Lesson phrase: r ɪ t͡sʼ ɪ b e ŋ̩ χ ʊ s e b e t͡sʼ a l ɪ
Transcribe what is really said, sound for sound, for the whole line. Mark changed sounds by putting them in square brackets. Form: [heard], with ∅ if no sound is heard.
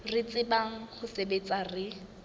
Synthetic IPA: r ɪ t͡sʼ ɪ b [a] ŋ̩ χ ʊ s e b e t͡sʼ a [r] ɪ